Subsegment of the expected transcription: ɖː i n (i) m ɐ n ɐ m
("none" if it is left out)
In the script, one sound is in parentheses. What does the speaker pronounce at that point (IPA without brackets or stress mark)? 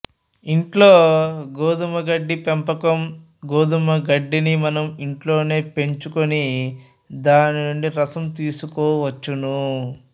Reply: i